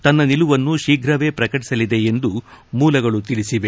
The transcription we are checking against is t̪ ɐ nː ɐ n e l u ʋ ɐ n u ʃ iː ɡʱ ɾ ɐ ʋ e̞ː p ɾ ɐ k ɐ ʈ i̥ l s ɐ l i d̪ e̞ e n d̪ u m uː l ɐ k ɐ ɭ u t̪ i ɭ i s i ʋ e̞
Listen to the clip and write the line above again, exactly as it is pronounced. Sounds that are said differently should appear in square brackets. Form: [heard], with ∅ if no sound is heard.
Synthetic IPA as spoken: t̪ ɐ nː ɐ n [i] l u ʋ ɐ [nː] u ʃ iː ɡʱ ɾ ɐ ʋ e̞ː p ɾ ɐ k ɐ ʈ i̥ [∅] s ɐ l i d̪ e̞ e n d̪ u m uː l ɐ [ɡ] ɐ ɭ u t̪ i ɭ i s i ʋ e̞